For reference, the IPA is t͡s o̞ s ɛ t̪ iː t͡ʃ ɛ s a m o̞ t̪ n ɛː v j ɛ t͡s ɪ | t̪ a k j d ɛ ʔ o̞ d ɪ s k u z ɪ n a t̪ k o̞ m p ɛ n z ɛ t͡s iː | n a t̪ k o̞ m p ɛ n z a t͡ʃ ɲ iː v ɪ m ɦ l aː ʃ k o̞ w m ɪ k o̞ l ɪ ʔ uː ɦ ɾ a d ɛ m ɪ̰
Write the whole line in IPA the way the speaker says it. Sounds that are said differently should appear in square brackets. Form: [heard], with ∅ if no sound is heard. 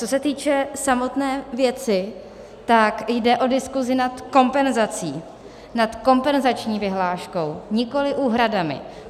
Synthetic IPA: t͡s o̞ s ɛ t̪ iː t͡ʃ ɛ s a m o̞ t̪ n ɛː v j ɛ t͡s ɪ | t̪ a k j d ɛ ʔ o̞ d ɪ s k u z ɪ n a t̪ k o̞ m p ɛ n z [a] t͡s iː | n a t̪ k o̞ m p ɛ n z a t͡ʃ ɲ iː v ɪ [∅] ɦ l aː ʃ k o̞ w [ɲ] ɪ k o̞ l ɪ ʔ uː ɦ ɾ a d [a] m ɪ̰